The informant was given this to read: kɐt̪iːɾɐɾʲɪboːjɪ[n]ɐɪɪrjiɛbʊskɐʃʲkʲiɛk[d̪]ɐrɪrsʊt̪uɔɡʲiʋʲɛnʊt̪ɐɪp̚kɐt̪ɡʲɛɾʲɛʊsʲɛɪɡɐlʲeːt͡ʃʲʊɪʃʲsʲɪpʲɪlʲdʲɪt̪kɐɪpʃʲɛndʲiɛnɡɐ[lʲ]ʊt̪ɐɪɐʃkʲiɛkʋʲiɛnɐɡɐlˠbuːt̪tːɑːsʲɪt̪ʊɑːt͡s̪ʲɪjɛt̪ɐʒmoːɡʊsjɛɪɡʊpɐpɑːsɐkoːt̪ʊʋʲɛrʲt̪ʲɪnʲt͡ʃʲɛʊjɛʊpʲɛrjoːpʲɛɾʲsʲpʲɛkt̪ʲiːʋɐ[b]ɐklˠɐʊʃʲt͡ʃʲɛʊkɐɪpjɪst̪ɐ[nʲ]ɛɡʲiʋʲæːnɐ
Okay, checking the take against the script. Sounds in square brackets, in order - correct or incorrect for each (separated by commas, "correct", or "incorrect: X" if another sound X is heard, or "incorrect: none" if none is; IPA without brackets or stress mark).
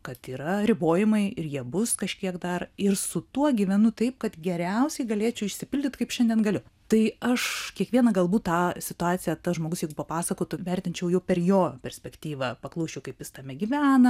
incorrect: m, correct, correct, incorrect: p, incorrect: mʲ